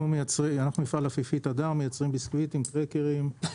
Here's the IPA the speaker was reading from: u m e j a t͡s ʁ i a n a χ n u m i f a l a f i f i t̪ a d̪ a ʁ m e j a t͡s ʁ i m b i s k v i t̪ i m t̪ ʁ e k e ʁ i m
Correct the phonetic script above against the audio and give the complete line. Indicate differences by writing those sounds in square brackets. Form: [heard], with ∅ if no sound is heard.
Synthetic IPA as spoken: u m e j a t͡s ʁ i a n a χ n u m i f a l a f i f i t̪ a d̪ a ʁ m e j a t͡s ʁ i m b i s k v i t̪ i m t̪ ʁ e k e ʁ i m